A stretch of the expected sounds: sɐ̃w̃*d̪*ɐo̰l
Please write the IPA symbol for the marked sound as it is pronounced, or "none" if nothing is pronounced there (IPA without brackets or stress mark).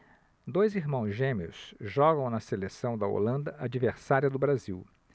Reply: d̪